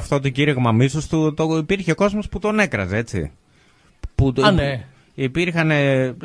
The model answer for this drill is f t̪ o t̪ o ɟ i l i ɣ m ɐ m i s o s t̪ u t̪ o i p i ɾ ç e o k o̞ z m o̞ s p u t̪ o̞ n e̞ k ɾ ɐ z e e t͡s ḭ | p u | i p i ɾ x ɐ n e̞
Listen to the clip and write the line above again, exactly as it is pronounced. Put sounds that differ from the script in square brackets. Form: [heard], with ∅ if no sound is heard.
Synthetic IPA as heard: f t̪ o t̪ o ɟ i [ɾ] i ɣ m ɐ m i s o s t̪ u t̪ o i p i ɾ ç e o k o̞ z m o̞ s p u t̪ o̞ n e̞ k ɾ ɐ z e e t͡s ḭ | p u | i p i ɾ x ɐ n e̞